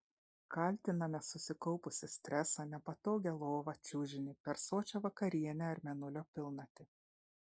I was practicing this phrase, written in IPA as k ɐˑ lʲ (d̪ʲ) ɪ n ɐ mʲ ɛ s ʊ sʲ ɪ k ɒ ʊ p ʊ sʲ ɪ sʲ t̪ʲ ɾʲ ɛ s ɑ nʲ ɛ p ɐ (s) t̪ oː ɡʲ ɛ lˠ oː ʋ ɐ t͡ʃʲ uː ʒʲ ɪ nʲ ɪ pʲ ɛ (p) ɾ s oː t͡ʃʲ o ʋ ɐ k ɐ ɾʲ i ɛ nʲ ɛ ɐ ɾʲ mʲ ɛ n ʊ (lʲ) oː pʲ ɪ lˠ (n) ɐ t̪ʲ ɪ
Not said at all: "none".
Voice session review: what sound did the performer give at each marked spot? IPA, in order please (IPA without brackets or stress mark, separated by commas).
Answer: t̪ʲ, none, none, lʲ, n